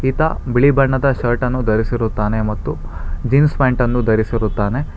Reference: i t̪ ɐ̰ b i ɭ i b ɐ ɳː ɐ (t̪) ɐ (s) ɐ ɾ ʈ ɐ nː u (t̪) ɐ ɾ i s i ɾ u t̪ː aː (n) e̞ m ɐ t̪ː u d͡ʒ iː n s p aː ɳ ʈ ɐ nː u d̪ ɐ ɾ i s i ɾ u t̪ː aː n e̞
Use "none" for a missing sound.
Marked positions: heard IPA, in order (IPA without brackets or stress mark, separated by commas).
d̪, ʃ, d̪, n